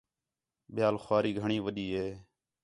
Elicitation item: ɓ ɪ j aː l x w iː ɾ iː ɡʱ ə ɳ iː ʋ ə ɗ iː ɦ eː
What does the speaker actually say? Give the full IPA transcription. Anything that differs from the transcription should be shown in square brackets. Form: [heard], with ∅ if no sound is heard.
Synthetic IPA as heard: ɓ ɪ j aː l x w [aː] ɾ iː ɡʱ ə ɳ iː ʋ ə ɗ iː ɦ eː